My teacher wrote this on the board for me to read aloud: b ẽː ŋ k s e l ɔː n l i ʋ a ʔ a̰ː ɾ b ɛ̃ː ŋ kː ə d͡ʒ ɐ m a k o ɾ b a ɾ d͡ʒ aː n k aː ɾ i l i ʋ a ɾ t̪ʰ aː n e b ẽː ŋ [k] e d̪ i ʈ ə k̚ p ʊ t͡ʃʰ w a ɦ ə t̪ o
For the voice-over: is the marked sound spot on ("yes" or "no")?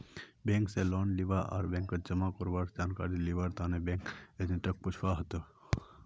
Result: yes